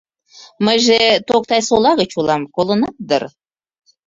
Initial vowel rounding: unrounded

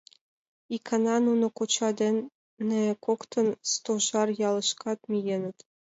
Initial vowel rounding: unrounded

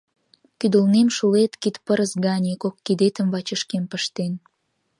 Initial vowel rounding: rounded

